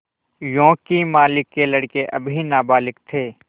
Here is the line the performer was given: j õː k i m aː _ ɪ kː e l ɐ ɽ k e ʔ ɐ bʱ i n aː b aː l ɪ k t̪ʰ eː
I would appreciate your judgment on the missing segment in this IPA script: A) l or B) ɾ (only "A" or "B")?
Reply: A